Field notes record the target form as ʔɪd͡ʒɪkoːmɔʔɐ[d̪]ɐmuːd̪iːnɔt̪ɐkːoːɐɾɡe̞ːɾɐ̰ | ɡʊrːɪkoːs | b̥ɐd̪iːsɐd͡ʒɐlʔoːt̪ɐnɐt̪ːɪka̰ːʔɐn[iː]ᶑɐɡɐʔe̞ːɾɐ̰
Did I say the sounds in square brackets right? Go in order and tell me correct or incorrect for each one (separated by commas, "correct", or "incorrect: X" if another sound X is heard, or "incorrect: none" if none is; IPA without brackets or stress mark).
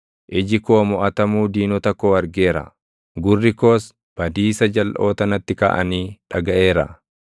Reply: incorrect: t̪, correct